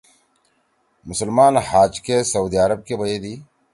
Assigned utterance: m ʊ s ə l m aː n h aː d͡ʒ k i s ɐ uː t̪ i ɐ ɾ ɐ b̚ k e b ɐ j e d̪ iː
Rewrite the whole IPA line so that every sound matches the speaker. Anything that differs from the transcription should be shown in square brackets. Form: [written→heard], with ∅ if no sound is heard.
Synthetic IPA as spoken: m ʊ s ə l m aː n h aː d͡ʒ k [i→e] s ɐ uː [t̪→d̪] i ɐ ɾ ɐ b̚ k e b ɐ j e d̪ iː